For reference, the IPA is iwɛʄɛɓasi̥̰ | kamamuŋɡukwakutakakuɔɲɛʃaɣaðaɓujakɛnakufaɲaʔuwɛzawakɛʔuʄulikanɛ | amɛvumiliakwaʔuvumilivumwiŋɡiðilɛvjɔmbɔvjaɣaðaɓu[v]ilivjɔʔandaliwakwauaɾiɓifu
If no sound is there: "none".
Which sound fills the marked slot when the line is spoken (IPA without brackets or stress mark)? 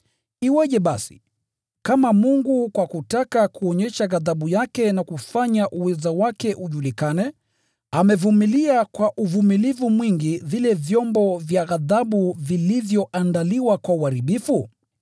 v